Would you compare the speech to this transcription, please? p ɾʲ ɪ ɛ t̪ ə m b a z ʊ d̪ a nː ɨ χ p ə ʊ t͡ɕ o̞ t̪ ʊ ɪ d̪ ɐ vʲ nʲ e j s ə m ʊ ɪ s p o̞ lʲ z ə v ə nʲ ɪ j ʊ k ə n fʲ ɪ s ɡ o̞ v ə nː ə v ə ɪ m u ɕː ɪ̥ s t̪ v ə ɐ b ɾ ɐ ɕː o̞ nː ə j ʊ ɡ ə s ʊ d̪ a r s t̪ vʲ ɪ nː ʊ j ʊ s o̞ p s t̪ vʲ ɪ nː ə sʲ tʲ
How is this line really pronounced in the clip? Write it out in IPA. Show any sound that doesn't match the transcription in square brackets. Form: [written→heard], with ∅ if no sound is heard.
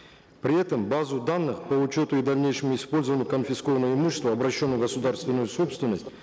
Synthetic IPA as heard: p ɾʲ ɪ ɛ t̪ ə m b a z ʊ d̪ a nː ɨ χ p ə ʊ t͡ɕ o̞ t̪ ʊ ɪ d̪ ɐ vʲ nʲ e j [s→ʂ] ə m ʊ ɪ s p o̞ lʲ z ə v ə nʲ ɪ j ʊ k ə n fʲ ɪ s [ɡ→k] o̞ v ə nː ə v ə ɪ m u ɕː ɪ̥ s t̪ v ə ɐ b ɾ ɐ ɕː o̞ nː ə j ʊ ɡ ə s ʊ d̪ a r s t̪ vʲ ɪ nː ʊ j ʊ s o̞ p s t̪ vʲ ɪ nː ə sʲ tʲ